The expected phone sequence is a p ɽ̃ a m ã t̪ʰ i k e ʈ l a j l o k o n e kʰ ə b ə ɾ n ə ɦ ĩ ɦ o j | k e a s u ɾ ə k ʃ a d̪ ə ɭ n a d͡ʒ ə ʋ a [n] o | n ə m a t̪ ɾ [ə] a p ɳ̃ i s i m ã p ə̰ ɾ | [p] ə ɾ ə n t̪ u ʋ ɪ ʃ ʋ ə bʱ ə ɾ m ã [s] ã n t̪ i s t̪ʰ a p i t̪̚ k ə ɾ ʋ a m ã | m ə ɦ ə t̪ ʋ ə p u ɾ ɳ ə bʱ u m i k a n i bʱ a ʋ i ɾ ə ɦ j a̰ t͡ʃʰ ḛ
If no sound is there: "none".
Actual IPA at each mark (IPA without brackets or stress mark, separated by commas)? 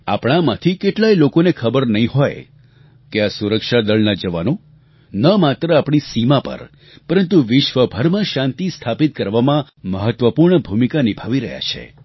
n, ə, p, ʃ